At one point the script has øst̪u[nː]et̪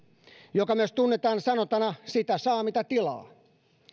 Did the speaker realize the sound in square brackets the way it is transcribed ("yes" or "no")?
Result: yes